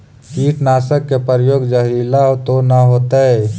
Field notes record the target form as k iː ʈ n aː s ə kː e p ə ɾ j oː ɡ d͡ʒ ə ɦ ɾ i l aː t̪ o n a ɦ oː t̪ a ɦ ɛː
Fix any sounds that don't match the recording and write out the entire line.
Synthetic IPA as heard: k iː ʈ n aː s ə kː e p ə ɾ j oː ɡ d͡ʒ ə ɦ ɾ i l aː t̪ o n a ɦ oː t̪ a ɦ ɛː